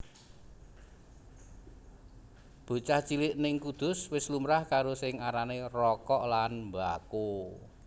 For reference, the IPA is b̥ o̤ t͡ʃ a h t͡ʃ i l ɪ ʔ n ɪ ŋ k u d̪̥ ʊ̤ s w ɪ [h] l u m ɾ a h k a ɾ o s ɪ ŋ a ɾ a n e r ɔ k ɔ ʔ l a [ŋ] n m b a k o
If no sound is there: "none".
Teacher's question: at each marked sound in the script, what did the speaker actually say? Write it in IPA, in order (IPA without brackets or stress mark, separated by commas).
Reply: s, none